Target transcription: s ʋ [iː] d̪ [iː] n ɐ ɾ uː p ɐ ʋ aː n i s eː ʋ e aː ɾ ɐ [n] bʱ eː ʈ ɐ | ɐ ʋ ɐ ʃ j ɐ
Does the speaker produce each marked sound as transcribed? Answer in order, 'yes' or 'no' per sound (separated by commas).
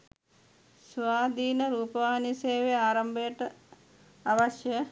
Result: no, yes, no